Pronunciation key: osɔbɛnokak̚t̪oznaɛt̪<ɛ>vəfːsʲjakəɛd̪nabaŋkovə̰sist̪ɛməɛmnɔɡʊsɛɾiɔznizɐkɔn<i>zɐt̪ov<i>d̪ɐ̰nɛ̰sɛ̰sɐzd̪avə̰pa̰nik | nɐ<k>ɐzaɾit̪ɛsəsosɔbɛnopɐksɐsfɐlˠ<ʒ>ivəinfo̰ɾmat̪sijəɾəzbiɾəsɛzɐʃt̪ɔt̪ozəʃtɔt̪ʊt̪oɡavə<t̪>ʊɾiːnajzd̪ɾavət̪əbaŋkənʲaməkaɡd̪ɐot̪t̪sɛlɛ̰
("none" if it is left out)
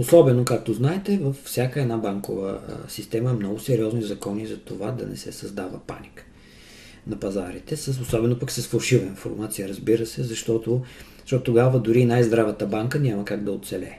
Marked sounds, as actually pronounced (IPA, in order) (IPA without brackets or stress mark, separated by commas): ɛ, i, a, p, ʃ, d̪